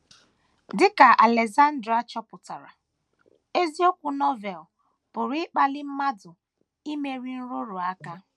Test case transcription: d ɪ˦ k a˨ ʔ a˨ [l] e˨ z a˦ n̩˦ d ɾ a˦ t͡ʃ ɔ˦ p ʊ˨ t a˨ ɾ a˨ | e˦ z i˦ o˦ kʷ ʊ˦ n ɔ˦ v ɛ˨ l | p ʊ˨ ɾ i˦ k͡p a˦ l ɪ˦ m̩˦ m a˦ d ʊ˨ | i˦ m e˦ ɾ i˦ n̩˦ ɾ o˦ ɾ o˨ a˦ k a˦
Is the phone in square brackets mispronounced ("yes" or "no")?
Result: no